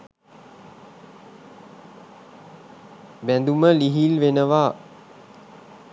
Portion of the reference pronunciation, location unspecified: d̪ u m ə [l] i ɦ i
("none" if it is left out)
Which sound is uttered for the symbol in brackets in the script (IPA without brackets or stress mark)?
l